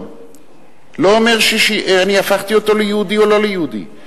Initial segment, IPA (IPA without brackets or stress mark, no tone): l